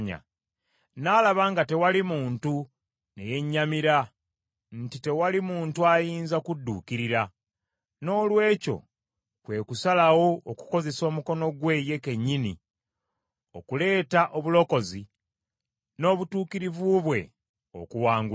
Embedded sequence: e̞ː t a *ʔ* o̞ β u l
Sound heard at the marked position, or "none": ʔ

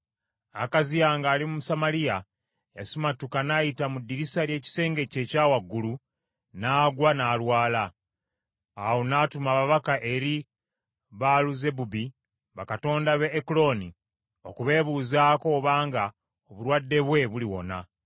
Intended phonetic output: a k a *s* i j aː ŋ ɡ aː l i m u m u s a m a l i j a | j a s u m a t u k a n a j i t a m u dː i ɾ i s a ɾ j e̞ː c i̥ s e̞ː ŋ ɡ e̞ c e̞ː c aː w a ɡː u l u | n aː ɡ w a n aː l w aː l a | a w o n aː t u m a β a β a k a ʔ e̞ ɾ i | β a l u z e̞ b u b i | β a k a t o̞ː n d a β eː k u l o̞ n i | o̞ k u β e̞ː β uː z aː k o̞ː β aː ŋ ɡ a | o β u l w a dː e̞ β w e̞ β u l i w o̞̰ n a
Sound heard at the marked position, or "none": z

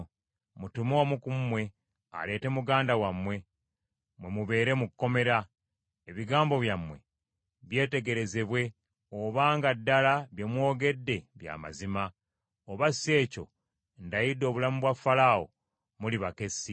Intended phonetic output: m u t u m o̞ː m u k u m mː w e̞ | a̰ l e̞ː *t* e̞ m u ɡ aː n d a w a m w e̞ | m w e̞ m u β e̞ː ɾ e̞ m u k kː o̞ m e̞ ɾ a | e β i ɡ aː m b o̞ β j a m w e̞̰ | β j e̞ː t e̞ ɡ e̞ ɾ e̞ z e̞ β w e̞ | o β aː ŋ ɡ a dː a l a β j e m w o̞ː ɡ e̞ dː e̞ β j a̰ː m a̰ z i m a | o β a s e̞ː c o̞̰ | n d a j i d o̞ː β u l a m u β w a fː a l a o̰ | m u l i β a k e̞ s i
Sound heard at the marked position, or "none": t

